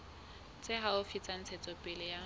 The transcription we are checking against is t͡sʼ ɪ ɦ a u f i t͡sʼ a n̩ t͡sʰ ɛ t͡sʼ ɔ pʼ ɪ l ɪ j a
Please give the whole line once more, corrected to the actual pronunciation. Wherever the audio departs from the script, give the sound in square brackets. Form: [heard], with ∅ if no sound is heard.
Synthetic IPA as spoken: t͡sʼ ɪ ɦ a [ʊ] f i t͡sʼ a n̩ t͡sʰ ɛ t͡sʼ ɔ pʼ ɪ l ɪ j a